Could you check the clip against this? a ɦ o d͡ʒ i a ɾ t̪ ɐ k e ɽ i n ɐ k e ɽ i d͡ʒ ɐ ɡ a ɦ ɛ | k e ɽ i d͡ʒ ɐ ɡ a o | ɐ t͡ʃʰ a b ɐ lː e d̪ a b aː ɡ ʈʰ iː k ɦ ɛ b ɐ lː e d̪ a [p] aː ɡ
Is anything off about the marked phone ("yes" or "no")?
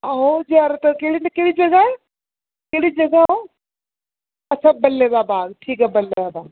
yes